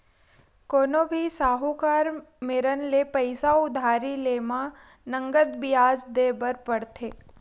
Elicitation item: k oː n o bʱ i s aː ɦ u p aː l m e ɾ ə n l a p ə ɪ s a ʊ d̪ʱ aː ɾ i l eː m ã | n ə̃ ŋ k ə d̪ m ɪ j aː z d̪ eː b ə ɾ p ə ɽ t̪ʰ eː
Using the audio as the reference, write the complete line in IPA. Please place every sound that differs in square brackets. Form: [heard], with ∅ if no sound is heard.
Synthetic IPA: k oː n o bʱ i s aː ɦ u [k] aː [ɾ] m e ɾ ə n l [e] p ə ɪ s a ʊ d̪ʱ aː ɾ i l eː m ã | n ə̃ ŋ [ɡ] ə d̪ [b] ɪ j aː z d̪ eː b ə ɾ p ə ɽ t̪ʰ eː